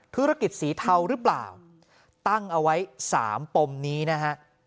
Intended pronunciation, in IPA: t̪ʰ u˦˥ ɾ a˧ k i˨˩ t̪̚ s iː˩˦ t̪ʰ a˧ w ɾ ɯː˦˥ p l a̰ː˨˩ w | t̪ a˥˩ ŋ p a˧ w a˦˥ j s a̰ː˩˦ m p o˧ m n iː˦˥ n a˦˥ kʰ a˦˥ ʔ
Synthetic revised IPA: t̪ʰ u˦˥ ɾ a˧ k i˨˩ t̪̚ s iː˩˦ t̪ʰ a˧ w ɾ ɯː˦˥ p l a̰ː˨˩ w | t̪ a˥˩ ŋ ʔ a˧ w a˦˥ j s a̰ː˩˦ m p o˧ m n iː˦˥ n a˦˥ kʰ a˦˥ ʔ